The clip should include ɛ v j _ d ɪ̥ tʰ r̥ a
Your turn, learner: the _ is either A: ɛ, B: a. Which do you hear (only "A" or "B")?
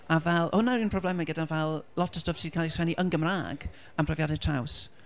B